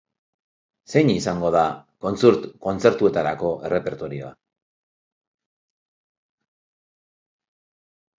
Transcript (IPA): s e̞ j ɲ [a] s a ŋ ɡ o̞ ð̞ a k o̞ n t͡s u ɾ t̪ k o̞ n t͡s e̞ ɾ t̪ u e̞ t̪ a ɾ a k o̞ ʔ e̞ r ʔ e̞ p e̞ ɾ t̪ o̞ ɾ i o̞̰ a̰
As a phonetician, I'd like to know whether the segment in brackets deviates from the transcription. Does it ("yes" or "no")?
yes